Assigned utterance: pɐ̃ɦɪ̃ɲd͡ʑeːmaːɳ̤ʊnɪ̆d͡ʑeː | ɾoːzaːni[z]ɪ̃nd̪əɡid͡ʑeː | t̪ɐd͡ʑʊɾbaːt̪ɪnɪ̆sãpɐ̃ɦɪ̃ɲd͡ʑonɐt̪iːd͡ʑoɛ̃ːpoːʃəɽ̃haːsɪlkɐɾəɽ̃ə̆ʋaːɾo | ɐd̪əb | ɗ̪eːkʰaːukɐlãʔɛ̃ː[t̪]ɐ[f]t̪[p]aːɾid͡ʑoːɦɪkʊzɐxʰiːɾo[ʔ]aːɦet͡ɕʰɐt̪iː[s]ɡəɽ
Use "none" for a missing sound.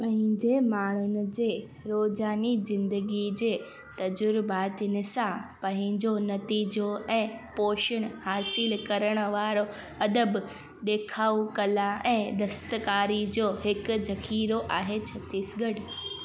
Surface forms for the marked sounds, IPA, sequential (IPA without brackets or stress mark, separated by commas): z, d̪, s, k, ʔ, s